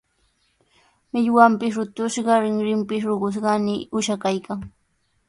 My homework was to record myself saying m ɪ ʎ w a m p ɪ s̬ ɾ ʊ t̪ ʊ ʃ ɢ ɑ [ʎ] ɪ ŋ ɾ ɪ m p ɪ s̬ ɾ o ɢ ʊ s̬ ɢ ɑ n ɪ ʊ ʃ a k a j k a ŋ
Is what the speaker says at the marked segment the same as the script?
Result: no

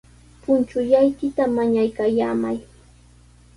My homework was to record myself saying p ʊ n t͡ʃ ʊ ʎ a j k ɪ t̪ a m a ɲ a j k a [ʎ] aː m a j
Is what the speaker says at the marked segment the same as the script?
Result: no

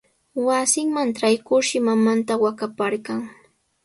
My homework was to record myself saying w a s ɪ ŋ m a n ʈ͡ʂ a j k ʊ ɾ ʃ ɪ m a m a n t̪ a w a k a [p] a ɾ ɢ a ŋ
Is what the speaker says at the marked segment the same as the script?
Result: yes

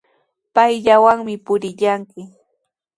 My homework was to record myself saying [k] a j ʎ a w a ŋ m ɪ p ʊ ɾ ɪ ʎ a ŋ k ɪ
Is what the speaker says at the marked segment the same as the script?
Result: no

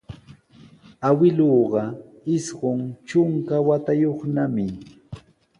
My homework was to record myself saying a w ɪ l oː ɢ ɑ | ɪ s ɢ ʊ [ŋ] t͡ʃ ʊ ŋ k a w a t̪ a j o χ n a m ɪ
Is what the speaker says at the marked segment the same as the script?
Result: yes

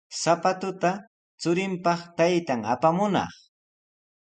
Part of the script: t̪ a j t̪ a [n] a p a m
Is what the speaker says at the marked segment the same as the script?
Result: no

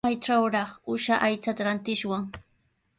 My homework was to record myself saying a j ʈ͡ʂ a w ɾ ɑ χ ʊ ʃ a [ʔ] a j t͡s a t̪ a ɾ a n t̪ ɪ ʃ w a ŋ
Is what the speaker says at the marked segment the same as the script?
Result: yes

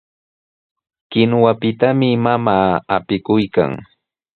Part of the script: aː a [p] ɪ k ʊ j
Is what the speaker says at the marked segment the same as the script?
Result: yes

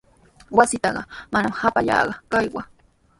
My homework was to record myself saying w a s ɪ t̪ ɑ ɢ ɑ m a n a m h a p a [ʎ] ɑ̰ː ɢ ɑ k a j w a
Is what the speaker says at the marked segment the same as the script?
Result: yes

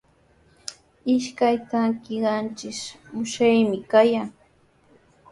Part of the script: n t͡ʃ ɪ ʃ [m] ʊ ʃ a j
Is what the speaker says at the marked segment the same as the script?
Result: yes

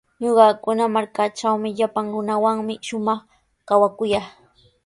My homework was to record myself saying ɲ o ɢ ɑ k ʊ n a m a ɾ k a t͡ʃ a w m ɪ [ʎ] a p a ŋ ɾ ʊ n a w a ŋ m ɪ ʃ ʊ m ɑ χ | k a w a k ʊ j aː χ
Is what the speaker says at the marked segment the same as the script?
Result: yes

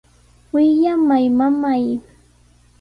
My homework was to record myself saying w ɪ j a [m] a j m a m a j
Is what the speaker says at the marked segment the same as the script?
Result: yes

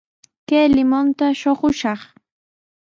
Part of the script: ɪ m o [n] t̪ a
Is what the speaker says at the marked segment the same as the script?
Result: yes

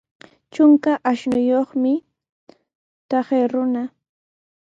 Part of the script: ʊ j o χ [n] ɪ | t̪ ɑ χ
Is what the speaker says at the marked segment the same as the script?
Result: no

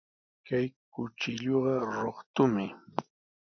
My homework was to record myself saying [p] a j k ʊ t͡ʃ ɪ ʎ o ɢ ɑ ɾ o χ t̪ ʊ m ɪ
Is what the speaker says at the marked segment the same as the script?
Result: no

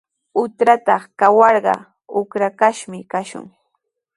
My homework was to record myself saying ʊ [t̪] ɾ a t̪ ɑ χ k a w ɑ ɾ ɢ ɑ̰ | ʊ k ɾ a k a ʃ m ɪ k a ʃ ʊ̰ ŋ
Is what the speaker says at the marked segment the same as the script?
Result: yes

